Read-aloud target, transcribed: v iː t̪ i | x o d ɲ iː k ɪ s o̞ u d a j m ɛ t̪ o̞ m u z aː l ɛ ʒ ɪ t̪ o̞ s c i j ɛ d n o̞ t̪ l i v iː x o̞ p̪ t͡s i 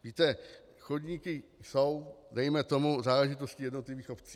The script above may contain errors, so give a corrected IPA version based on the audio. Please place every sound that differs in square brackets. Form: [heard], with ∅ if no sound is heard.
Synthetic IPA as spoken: v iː t̪ [ɛ] | x o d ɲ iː k ɪ s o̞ [w] d [ɛ] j m ɛ t̪ o̞ m u z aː l ɛ ʒ ɪ t̪ o̞ s c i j ɛ d n o̞ t̪ l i v iː x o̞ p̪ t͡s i